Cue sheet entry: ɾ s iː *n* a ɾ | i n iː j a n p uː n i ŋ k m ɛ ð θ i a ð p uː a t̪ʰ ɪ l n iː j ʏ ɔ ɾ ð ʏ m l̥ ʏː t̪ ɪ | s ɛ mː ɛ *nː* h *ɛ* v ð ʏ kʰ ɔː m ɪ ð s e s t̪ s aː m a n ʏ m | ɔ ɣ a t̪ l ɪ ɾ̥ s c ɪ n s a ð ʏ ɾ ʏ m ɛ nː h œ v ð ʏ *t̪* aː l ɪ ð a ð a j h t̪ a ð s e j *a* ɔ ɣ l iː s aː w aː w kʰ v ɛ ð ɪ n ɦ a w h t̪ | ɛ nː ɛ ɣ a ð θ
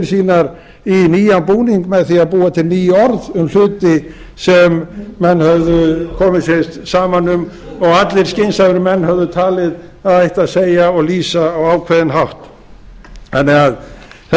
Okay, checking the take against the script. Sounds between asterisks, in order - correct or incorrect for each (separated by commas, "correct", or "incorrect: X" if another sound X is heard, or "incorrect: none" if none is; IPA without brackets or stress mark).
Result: correct, correct, incorrect: œ, incorrect: t̪ʰ, correct